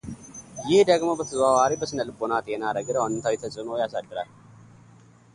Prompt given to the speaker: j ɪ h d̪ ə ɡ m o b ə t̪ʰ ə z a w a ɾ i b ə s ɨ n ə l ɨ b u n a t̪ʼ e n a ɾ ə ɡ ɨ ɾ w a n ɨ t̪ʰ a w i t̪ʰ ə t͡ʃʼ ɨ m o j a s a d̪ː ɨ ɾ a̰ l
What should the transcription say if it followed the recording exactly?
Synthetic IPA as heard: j ɪ h d̪ ə ɡ m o b ə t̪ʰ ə z a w a ɾ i b ə s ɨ n ə l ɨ b o n a t̪ʼ e n a ɾ ə ɡ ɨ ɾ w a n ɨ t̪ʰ a w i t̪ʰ ə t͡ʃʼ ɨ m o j a s a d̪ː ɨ ɾ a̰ l